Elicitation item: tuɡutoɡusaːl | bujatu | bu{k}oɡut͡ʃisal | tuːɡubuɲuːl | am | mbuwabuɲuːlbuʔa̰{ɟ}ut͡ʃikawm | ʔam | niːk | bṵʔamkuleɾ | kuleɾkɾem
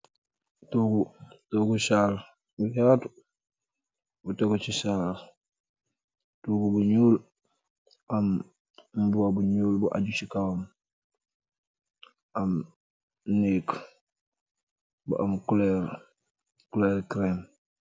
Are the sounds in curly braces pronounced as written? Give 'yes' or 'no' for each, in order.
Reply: no, yes

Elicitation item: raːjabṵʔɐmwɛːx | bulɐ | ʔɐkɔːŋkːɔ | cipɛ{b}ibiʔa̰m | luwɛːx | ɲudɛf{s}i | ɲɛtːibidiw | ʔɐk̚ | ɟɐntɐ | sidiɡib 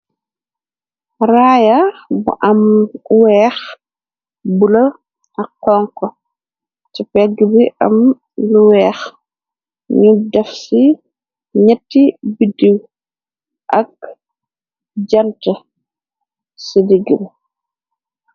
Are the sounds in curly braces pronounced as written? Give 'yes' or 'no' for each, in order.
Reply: no, yes

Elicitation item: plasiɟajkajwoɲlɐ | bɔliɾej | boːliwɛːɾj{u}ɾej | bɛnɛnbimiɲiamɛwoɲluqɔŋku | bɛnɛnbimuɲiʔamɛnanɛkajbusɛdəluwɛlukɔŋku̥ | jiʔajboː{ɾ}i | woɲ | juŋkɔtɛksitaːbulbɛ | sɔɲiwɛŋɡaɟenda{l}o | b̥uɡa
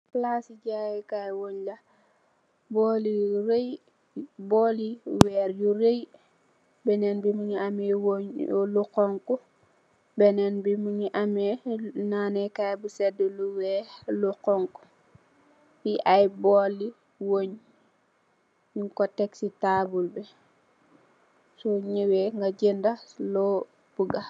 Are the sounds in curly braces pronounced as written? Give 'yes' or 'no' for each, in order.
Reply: yes, no, yes

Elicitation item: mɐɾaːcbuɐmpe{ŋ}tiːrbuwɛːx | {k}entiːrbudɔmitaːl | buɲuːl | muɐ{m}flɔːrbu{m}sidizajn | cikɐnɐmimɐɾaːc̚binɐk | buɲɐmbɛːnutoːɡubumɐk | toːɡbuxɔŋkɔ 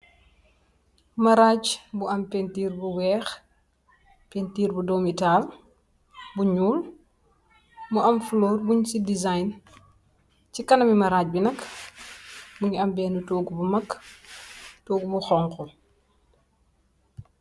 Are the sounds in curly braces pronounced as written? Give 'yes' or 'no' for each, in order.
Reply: no, no, yes, no

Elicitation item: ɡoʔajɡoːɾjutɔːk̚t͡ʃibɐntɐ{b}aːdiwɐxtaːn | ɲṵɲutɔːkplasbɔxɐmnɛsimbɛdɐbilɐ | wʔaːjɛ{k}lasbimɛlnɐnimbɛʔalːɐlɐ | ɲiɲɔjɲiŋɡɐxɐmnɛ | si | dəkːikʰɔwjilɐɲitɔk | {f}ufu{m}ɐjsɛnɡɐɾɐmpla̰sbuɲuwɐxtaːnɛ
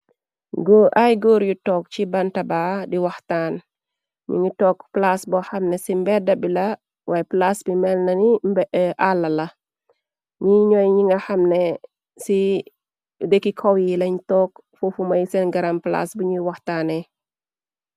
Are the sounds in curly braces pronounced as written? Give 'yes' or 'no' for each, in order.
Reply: yes, no, yes, yes

